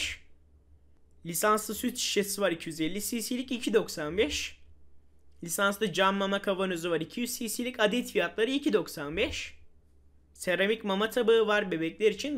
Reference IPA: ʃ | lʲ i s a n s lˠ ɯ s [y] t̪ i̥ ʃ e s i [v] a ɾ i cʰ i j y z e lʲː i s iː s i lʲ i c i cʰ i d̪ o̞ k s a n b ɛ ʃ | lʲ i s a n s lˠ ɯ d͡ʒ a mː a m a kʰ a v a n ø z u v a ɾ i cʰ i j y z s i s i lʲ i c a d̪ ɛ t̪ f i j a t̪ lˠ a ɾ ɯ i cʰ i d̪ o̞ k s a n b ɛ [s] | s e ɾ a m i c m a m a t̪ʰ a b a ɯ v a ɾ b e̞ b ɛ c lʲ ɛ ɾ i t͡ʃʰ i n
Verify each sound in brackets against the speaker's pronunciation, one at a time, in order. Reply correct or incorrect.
correct, correct, incorrect

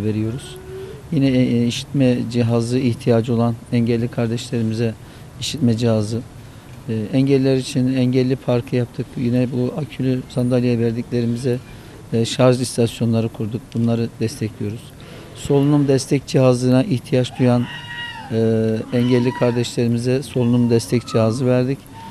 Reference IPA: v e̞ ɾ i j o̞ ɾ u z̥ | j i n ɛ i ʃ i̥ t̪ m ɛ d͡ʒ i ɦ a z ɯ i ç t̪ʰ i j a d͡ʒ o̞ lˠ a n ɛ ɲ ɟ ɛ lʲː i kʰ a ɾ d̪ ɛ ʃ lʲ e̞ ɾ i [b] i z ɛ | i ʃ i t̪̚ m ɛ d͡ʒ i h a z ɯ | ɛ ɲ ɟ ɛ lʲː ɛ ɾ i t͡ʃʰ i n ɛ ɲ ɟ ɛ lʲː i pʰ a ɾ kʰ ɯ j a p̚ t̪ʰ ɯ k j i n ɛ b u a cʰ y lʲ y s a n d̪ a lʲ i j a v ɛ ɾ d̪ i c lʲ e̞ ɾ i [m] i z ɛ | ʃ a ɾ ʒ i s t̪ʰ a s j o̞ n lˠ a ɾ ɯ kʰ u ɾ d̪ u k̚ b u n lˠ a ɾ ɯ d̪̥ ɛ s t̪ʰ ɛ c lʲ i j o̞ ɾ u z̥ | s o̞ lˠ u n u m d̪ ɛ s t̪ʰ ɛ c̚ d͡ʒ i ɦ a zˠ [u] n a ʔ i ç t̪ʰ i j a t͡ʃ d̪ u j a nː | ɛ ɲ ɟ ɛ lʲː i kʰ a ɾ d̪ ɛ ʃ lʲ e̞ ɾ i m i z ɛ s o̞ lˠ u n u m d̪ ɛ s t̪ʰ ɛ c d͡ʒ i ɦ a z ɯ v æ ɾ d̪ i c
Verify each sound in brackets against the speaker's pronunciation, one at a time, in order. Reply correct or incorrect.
incorrect, correct, incorrect

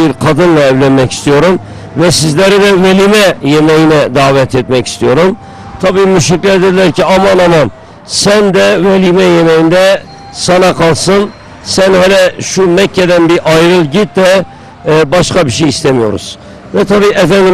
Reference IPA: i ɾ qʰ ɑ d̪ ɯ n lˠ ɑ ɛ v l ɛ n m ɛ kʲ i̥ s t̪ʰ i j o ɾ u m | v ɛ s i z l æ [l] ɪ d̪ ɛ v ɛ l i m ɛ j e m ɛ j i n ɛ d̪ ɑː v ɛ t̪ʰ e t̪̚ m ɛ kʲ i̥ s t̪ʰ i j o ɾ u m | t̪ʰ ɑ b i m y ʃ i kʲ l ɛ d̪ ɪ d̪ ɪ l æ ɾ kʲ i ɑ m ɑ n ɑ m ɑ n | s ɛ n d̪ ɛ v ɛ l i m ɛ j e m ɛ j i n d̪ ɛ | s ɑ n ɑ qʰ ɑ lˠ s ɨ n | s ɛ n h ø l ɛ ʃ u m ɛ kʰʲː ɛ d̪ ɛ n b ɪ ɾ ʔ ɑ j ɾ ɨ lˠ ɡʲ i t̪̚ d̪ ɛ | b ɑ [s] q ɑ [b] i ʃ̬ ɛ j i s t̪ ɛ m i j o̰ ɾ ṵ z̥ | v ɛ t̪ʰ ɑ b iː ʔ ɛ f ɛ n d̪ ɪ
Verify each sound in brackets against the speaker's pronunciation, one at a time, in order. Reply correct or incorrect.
incorrect, incorrect, correct

